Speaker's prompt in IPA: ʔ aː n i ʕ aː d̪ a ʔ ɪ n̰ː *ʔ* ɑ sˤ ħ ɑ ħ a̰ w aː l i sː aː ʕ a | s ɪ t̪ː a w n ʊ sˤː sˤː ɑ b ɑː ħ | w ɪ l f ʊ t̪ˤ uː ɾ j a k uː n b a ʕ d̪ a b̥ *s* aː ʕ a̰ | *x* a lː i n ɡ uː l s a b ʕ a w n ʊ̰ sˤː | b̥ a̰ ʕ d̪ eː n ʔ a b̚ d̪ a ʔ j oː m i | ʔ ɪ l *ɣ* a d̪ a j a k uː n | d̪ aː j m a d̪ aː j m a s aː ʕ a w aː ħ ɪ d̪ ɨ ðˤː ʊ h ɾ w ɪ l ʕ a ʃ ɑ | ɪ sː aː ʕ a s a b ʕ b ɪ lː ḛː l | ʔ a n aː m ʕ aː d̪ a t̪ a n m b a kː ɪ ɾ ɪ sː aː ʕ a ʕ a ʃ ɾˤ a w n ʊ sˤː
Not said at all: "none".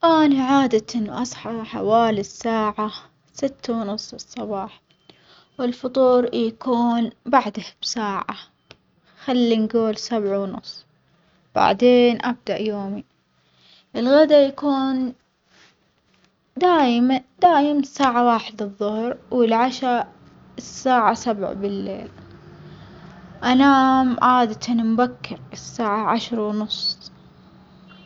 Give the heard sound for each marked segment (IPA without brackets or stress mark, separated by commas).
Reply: ʔ, s, x, ɣ